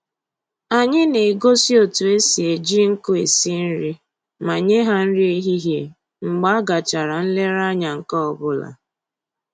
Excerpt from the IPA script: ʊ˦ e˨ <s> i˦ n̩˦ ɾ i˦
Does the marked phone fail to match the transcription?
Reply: no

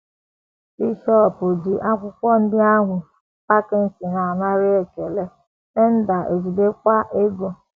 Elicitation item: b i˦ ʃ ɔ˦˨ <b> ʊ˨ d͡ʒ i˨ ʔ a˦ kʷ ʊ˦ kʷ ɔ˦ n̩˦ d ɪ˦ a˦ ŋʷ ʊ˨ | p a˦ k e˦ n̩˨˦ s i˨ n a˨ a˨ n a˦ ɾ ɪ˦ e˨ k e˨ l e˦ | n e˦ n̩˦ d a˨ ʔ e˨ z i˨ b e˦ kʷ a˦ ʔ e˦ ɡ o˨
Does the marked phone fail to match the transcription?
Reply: yes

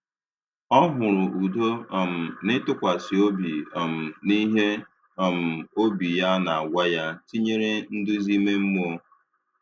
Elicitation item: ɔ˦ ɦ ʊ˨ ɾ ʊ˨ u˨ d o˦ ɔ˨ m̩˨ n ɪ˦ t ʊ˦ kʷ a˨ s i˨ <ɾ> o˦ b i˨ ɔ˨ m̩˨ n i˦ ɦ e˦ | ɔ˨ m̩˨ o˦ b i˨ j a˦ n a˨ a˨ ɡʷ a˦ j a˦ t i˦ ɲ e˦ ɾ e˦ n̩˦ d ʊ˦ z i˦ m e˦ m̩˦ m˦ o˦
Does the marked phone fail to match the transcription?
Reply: yes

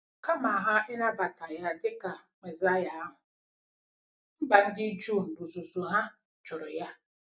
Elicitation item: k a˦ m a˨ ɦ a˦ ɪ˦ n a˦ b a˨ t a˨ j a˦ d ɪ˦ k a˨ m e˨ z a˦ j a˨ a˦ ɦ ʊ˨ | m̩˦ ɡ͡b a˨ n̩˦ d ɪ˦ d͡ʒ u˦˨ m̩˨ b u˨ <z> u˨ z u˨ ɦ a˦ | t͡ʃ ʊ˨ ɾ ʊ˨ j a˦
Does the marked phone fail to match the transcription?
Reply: no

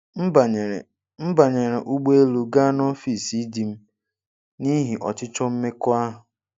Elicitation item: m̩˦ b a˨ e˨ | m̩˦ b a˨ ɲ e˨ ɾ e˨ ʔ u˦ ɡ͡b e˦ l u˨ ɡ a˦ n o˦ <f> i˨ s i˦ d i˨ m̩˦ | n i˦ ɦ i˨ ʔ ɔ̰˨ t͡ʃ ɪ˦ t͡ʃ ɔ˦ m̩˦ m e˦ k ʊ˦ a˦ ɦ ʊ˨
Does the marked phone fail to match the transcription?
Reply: no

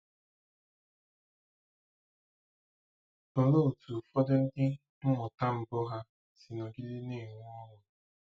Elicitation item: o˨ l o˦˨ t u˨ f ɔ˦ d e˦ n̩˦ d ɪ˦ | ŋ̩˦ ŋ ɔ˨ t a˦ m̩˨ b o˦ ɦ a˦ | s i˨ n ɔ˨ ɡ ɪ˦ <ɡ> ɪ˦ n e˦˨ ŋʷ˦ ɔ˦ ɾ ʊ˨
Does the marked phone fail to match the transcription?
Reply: yes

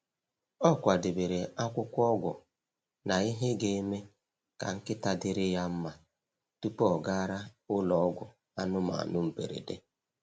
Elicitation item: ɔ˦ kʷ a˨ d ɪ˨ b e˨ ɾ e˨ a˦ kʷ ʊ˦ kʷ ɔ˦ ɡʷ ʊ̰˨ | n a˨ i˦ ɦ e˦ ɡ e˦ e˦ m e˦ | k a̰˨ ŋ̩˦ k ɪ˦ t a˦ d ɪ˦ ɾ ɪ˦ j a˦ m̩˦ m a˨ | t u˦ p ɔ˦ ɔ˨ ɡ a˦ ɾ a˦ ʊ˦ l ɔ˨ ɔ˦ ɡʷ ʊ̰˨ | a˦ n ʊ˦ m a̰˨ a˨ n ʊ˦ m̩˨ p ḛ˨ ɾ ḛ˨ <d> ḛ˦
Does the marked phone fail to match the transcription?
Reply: no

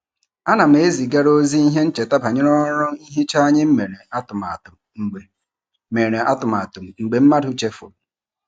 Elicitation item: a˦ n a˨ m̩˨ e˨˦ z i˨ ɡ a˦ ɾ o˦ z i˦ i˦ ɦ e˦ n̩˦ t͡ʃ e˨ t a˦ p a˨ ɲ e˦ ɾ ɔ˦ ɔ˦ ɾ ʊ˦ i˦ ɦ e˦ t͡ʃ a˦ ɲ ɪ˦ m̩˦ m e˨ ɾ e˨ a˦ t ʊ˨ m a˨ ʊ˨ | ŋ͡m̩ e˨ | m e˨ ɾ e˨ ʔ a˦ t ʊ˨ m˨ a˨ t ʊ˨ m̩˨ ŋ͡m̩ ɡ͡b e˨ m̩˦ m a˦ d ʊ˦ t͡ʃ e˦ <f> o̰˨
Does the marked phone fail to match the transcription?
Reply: no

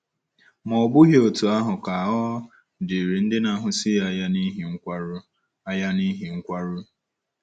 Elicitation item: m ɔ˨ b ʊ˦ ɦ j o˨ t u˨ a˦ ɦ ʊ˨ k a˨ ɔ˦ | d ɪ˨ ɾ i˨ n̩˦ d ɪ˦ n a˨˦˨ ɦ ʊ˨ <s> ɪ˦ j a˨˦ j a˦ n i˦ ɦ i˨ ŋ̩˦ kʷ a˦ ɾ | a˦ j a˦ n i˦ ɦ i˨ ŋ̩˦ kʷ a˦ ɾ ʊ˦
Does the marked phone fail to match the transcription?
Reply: no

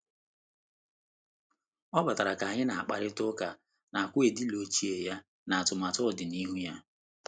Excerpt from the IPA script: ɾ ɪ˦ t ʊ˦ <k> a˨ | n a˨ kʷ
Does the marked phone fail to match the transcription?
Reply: no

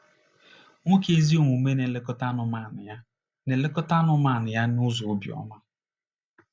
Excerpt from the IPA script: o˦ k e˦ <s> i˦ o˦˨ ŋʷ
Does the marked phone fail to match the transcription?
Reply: yes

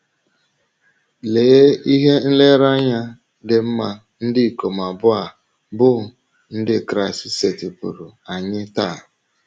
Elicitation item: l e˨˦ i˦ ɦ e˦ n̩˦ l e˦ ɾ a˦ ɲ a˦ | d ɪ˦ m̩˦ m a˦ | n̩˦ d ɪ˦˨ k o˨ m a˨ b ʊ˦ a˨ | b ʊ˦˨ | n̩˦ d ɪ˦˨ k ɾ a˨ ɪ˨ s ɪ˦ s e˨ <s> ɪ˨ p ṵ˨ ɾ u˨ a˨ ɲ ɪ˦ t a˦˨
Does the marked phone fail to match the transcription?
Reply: yes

